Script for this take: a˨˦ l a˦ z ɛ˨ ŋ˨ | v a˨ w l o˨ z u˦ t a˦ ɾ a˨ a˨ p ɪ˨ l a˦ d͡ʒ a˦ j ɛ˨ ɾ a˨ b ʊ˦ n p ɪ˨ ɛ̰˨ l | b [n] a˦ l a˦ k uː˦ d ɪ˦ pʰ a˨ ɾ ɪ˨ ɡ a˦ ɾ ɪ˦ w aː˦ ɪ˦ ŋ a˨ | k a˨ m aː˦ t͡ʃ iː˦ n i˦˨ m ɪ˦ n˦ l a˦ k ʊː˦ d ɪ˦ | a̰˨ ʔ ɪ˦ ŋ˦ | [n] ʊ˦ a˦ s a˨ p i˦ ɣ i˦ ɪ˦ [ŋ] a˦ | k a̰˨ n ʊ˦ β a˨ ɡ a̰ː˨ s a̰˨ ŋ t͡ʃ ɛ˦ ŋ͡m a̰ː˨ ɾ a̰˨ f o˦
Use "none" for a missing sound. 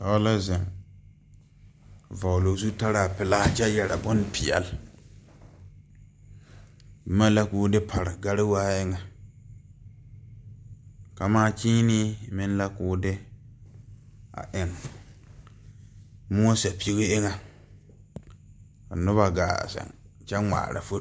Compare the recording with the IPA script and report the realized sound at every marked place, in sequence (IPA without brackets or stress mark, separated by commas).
m, m, ŋ